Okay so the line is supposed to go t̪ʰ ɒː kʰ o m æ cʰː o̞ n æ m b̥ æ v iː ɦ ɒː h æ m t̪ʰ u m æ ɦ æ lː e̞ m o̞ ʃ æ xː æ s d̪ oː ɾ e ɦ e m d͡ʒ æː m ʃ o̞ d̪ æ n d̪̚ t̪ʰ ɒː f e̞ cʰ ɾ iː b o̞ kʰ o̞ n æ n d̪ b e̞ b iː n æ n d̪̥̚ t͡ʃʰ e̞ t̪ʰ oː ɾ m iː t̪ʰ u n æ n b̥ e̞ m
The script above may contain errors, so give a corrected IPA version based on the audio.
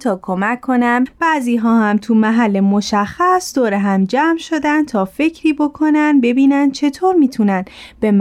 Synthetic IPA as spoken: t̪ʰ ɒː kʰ o m æ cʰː o̞ n æ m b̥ æ z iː ɦ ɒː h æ m t̪ʰ u m æ ɦ æ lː e̞ m o̞ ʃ æ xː æ s d̪ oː ɾ e ɦ æ m d͡ʒ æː m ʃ o̞ d̪ æ n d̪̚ t̪ʰ ɒː f e̞ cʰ ɾ iː b o̞ kʰ o̞ n æ n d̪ b e̞ b iː n æ n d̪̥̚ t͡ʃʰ e̞ t̪ʰ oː ɾ m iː t̪ʰ u n æ n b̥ e̞ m